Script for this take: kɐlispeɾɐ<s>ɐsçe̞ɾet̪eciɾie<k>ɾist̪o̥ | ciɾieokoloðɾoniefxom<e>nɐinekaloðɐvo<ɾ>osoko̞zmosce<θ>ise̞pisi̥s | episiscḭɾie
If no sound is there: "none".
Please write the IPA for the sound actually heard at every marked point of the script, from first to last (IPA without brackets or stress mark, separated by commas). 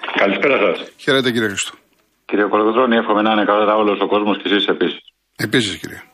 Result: s, x, e, l, s